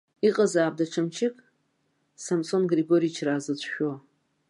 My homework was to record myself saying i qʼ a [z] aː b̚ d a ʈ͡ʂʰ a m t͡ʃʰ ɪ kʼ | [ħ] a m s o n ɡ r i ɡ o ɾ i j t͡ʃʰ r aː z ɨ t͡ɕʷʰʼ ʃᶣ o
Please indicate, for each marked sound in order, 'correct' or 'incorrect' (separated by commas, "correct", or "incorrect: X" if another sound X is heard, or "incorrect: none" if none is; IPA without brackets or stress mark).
correct, incorrect: s